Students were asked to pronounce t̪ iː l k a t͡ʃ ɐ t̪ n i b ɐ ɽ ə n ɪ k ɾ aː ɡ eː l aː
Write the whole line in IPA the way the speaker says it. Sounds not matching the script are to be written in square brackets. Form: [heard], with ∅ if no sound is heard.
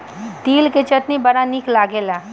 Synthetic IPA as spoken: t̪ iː l k [e] t͡ʃ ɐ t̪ n i b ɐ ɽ [a] n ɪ k [l] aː ɡ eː l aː